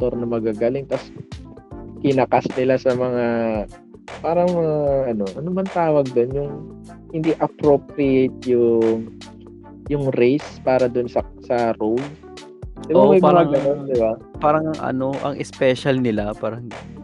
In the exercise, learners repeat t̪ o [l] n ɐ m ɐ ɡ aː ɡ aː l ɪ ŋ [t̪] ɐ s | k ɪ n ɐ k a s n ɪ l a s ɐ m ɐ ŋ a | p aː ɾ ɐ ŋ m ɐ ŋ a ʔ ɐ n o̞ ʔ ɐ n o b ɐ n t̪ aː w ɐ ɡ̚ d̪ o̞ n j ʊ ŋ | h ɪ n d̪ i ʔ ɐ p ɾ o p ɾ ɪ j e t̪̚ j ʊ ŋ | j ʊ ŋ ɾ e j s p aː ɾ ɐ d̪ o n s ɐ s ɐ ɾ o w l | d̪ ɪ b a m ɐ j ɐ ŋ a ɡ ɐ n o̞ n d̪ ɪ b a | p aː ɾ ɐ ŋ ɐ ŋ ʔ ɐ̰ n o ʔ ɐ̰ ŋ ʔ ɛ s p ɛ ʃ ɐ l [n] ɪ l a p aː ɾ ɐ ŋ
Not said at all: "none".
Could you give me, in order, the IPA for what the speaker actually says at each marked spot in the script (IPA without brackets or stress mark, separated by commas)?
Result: ɾ, t̪, n